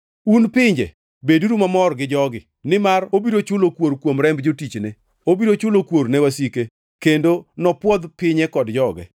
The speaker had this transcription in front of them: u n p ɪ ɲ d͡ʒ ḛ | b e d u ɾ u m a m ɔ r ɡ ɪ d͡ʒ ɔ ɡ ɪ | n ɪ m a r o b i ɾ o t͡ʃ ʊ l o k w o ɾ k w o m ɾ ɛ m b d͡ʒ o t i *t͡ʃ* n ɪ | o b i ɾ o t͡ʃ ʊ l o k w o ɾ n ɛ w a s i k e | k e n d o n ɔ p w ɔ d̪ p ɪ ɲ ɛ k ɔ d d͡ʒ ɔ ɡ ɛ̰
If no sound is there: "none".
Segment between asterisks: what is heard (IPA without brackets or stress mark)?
t͡ʃ